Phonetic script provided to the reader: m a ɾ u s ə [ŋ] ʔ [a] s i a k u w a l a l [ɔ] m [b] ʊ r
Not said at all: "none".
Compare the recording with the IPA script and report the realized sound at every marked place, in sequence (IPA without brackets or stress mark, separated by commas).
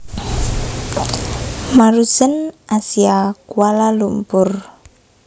n, a, u, p